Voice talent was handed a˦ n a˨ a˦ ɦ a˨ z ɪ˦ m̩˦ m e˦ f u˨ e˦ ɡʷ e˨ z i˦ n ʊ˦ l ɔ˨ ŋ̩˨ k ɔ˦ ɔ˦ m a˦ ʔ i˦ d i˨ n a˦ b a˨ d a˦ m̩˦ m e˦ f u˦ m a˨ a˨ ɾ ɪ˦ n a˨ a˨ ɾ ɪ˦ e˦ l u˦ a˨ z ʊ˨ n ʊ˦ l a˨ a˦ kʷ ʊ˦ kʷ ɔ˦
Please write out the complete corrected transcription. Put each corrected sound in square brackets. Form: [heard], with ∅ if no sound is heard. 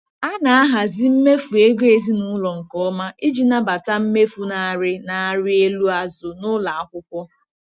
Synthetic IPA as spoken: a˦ n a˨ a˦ ɦ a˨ z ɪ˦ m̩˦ m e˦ f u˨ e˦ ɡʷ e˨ z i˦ n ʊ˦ l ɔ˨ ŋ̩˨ k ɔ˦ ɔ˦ m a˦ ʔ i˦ [d͡ʒ] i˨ n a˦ b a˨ [t] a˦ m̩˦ m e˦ f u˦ [n] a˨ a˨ ɾ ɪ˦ n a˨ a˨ ɾ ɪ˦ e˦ l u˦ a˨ z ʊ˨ n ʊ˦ l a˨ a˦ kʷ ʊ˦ kʷ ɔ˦